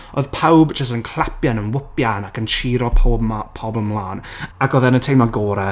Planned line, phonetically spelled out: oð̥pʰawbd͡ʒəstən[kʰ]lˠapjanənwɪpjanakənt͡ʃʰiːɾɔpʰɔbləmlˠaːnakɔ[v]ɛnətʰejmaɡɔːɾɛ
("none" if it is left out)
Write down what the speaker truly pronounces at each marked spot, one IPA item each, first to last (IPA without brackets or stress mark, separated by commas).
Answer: kʰ, ð